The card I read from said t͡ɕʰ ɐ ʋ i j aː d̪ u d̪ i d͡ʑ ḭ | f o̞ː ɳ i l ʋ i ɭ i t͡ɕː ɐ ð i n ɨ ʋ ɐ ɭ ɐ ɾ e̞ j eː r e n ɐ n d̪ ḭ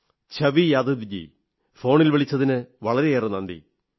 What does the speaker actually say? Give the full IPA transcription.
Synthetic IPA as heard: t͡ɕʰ ɐ ʋ i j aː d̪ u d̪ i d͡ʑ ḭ | f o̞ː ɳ i l ʋ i ɭ i t͡ɕː ɐ ð i n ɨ ʋ ɐ ɭ ɐ ɾ e̞ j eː r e n ɐ n d̪ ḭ